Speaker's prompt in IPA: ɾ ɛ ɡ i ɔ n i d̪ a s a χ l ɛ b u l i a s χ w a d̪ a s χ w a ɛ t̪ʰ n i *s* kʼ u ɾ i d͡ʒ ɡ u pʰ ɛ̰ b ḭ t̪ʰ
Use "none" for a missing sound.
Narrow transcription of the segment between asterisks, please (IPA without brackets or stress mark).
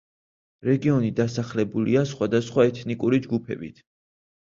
none